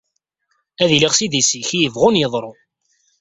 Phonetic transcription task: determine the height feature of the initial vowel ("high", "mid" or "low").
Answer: low